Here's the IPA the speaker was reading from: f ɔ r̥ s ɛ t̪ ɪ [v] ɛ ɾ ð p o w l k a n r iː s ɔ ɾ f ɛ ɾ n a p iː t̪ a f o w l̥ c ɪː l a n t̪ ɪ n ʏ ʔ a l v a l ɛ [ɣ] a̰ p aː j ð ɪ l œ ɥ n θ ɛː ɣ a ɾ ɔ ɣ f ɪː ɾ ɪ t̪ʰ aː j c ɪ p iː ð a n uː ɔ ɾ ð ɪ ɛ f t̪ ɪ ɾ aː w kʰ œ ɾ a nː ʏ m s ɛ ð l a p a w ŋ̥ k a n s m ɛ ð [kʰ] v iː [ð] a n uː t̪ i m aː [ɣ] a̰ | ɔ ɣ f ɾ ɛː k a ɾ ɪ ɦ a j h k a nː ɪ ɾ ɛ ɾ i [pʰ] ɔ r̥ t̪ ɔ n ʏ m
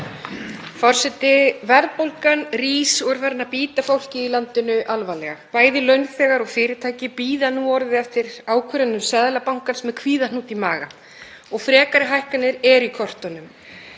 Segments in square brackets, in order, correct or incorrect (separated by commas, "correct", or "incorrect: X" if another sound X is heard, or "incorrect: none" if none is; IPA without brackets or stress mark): correct, correct, correct, correct, correct, incorrect: kʰ